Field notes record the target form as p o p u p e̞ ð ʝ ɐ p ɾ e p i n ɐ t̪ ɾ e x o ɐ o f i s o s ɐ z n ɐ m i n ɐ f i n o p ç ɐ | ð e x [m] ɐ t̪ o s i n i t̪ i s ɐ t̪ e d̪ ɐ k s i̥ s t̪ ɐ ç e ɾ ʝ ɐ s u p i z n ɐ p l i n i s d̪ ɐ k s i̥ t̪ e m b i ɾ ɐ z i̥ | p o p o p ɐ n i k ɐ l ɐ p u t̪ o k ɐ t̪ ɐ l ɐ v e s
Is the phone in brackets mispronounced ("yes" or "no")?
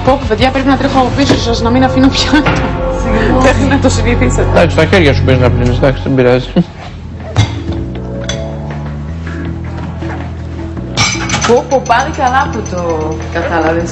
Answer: yes